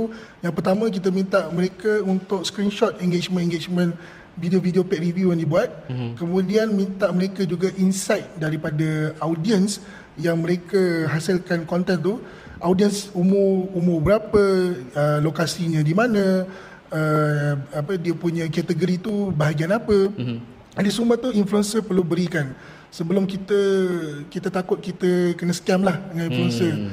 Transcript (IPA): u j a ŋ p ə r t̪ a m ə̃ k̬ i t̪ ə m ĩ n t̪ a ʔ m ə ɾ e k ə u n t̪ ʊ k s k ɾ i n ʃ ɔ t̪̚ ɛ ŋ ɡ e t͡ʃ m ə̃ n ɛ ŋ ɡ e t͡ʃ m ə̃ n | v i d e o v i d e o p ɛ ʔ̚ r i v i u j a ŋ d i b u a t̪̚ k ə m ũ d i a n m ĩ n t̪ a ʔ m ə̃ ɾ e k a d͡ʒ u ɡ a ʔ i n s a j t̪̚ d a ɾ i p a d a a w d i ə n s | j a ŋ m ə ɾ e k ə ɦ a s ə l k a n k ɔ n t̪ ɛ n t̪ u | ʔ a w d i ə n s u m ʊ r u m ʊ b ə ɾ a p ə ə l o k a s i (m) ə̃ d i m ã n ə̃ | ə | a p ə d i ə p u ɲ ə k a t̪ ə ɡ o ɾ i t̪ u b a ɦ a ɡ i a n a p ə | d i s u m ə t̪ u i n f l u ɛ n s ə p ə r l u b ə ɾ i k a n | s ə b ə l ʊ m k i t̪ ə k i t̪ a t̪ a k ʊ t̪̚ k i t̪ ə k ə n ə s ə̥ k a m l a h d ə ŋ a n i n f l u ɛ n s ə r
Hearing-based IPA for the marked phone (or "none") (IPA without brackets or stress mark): ɲ